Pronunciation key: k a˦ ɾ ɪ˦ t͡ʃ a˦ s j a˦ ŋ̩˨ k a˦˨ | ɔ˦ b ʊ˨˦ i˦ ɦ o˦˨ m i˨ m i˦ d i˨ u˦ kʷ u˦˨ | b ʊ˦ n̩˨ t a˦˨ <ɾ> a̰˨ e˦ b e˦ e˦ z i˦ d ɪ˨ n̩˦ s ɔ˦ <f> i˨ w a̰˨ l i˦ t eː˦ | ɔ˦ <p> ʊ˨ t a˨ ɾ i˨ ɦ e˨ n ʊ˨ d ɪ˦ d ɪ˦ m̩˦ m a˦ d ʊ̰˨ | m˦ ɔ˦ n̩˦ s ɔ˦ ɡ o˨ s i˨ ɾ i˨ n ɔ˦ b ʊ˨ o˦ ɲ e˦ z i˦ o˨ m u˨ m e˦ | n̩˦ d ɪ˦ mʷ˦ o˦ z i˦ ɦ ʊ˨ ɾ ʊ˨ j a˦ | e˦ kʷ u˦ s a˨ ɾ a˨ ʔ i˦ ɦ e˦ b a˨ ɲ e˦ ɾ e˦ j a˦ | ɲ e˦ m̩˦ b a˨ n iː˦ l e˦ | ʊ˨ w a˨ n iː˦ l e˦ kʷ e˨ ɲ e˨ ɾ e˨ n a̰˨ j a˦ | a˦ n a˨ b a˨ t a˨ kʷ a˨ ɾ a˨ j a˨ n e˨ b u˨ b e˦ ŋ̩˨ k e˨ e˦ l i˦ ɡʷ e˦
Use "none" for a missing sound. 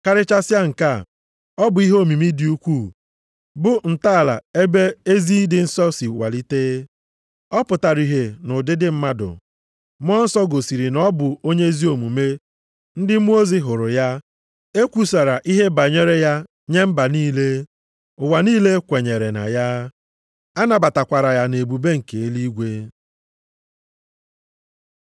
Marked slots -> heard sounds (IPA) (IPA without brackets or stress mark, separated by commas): l, s, p